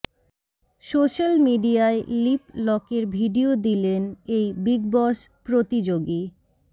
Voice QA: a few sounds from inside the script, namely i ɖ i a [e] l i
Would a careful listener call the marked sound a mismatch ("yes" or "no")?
no